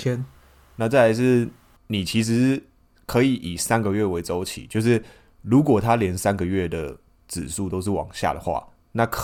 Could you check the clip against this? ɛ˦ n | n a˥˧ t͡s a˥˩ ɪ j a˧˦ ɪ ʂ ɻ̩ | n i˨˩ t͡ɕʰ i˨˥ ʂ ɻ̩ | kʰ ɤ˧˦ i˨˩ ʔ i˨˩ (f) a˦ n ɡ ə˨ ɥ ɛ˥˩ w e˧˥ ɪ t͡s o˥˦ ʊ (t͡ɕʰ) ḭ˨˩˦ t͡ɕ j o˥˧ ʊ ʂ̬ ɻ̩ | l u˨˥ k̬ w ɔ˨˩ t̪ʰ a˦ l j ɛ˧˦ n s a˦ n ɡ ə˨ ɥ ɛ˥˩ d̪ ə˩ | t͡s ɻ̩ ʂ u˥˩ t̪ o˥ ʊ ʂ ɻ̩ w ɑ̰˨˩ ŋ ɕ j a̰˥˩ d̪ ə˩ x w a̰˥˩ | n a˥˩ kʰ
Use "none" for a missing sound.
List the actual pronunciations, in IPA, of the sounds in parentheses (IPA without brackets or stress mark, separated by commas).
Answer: s, t͡ɕʰ